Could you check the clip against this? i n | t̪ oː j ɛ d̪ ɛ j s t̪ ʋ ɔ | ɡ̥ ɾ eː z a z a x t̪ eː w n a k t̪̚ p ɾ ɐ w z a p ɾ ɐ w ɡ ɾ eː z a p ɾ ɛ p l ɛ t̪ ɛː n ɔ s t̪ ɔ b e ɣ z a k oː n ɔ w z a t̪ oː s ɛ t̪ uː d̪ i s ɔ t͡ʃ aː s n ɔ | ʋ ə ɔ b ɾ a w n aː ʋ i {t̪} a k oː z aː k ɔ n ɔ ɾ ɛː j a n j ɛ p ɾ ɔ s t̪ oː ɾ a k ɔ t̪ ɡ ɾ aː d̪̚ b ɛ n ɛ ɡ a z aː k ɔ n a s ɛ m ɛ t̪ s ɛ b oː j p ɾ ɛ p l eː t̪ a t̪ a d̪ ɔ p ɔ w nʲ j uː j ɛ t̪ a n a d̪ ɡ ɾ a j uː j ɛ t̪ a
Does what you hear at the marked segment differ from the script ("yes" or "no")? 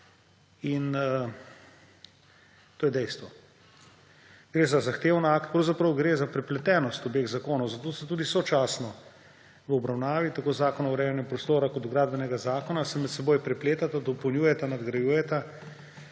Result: no